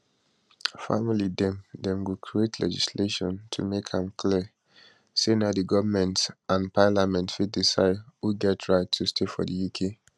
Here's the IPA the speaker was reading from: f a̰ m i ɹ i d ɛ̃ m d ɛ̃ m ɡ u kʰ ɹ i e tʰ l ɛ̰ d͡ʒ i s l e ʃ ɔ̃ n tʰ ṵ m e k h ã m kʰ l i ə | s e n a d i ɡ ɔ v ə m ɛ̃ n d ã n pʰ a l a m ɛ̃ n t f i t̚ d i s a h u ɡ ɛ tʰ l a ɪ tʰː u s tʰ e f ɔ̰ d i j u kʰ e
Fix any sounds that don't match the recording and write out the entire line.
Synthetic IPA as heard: f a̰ m i l i d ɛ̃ m d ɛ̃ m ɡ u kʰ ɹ i e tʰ l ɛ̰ d͡ʒ i s l e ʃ ɔ̃ n tʰ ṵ m e k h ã m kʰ l i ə | s e n a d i ɡ ɔ v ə m ɛ̃ n t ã n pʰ a l a m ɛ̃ n t f i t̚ d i s a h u ɡ ɛ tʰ ɹ a ɪ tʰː u s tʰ e f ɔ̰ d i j u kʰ e